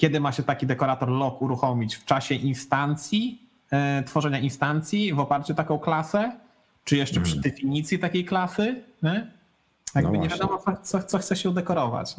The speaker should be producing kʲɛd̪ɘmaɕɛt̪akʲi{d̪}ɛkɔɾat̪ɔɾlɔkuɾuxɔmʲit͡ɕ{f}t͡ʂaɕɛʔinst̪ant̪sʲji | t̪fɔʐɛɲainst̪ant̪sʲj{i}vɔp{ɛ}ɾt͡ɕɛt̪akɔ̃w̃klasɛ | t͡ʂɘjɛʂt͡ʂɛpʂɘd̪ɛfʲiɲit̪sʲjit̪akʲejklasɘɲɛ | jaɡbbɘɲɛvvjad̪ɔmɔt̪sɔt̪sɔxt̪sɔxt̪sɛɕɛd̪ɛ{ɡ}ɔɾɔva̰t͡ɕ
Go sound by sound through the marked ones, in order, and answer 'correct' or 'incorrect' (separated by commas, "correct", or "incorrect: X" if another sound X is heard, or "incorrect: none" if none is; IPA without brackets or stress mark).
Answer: correct, correct, correct, incorrect: a, incorrect: k